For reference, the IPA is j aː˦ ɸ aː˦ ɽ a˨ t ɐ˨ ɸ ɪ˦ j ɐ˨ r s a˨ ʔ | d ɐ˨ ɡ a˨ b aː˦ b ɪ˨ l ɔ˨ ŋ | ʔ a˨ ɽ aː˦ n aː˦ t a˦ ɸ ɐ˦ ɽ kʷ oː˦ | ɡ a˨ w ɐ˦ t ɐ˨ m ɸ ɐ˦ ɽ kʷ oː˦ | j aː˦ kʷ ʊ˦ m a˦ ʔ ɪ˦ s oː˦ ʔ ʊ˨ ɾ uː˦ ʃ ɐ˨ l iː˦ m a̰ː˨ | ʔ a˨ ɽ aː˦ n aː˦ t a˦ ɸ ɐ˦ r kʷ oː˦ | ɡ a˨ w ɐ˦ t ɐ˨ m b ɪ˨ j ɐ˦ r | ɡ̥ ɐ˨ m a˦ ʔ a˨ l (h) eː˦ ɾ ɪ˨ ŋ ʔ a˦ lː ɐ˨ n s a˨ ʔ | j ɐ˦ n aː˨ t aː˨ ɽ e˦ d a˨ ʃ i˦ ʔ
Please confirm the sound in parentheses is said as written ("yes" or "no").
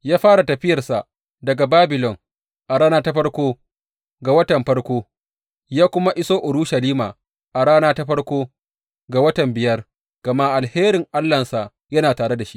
yes